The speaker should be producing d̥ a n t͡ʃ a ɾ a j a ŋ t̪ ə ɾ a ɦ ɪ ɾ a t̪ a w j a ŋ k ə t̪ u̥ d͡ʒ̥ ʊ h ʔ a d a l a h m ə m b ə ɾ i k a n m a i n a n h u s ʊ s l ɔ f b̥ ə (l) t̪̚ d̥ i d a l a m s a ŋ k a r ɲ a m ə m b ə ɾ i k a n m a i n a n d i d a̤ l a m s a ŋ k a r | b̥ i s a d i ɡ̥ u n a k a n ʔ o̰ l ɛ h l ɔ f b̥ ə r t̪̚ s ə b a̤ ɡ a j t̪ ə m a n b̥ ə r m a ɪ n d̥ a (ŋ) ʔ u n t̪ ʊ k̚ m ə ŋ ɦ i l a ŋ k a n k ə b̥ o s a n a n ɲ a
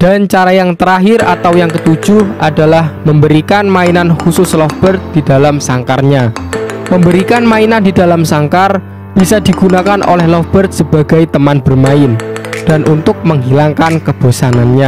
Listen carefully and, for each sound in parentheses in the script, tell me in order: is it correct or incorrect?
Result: incorrect, incorrect

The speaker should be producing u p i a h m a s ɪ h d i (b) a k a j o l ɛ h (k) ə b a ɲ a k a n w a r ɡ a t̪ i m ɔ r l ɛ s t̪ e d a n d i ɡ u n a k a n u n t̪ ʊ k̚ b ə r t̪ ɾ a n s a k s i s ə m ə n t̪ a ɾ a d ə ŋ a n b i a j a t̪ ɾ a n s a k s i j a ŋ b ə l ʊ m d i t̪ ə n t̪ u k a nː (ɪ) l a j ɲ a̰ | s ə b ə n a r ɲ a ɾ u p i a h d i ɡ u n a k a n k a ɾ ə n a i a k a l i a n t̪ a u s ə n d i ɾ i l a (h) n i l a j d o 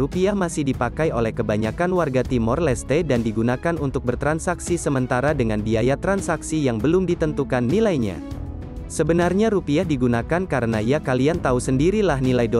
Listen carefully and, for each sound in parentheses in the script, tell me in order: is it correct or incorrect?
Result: incorrect, correct, incorrect, correct

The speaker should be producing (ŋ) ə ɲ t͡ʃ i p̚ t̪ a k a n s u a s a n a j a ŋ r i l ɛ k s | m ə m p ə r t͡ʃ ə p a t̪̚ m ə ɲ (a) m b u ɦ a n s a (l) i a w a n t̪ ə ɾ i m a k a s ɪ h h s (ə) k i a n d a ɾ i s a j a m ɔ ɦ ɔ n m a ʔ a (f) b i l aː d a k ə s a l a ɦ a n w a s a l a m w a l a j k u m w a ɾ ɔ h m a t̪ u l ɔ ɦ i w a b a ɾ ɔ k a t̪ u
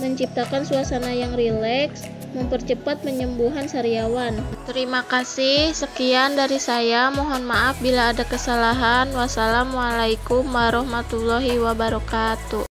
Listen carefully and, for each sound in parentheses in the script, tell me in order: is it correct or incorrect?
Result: incorrect, incorrect, incorrect, correct, correct

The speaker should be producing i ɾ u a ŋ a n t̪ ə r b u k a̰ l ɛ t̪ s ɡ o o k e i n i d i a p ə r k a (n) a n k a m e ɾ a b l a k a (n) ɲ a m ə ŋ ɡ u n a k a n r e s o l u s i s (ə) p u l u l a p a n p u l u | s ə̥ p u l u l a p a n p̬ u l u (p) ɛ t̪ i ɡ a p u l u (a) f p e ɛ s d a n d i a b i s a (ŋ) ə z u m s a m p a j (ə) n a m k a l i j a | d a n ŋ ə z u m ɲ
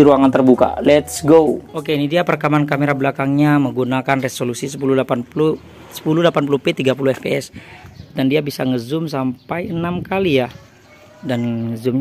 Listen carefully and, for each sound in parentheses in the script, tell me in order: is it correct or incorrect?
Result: incorrect, incorrect, correct, correct, incorrect, correct, correct

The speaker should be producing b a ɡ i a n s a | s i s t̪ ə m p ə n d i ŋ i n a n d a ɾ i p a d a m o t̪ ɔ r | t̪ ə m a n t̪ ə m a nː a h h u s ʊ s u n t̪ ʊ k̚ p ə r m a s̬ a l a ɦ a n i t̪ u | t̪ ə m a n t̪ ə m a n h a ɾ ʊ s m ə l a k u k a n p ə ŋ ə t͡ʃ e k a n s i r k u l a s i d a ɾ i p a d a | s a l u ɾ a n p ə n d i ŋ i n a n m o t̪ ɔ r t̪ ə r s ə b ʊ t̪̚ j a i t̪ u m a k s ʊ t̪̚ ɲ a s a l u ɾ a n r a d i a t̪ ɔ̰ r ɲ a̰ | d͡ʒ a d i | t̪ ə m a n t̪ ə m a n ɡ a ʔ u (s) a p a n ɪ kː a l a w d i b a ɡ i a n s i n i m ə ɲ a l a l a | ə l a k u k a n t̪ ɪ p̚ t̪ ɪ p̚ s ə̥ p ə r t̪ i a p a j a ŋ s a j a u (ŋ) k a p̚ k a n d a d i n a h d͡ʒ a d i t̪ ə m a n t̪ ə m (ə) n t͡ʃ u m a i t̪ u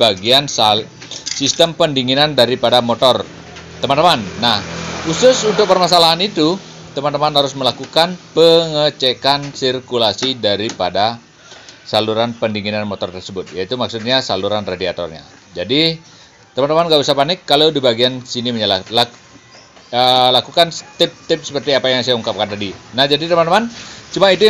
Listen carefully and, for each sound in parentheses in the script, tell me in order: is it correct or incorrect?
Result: correct, correct, incorrect

